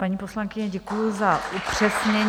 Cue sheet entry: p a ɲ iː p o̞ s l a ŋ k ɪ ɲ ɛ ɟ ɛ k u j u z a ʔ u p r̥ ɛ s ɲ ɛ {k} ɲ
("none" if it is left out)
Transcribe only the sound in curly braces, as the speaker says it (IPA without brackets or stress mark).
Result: none